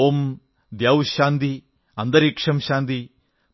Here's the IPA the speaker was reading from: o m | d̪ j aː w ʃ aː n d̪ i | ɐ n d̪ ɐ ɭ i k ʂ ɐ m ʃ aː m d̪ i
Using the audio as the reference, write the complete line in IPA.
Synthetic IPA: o m | d̪ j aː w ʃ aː n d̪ i | ɐ n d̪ ɐ ɾ i k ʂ ɐ m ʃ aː n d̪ i